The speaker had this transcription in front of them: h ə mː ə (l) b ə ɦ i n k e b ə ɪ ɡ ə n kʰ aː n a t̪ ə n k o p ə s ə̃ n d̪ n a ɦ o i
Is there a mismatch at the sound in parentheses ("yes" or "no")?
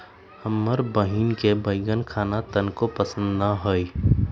yes